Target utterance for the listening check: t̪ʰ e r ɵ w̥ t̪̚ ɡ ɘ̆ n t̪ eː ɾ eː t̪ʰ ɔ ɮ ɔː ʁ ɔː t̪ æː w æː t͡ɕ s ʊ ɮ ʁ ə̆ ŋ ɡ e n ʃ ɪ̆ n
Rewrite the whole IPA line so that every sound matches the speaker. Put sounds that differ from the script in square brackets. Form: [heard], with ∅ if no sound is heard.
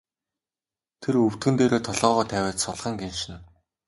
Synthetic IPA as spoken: t̪ʰ e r ɵ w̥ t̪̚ ɡ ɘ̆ n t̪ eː ɾ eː t̪ʰ ɔ ɮ ɔː ʁ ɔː [t̪ʰ] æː w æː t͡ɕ s ʊ ɮ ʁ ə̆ ŋ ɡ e n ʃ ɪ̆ n